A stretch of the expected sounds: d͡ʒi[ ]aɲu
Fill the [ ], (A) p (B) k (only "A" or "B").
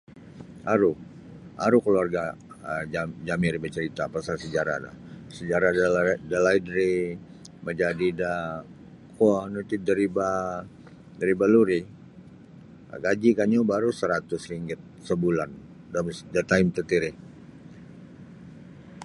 B